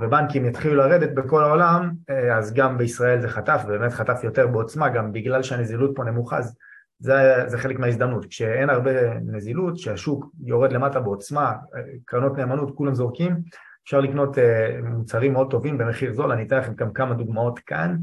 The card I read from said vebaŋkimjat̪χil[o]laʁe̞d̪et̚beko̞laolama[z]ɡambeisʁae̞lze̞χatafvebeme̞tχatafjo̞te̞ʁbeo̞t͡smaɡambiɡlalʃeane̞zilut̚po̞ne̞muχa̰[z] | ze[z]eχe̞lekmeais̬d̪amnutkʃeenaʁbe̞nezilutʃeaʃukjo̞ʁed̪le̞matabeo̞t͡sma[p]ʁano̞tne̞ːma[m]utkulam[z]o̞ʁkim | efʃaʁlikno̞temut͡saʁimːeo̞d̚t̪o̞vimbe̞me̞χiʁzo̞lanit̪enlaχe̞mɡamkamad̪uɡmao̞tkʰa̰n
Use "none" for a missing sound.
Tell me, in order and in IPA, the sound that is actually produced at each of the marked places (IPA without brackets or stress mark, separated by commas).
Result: u, z, z, z, k, n, z